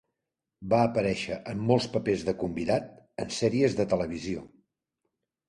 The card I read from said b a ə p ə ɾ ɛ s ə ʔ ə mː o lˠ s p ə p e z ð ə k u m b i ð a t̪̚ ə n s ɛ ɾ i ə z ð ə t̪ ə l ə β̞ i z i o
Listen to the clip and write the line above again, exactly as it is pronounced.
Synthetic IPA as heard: b a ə p ə ɾ ɛ ʃ ə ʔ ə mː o lˠ s p ə p e z ð ə k u m b i ð a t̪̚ ə n s ɛ ɾ i ə z ð ə t̪ ə l ə β̞ i z i o